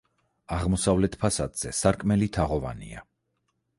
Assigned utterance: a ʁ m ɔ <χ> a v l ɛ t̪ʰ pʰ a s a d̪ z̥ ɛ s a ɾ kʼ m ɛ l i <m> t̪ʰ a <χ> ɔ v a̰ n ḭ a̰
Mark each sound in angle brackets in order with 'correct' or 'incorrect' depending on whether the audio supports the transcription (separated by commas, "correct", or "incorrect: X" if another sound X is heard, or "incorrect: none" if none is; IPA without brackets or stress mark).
incorrect: s, incorrect: none, incorrect: ʁ